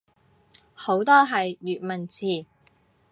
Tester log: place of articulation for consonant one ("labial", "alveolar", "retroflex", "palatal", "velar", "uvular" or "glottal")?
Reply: glottal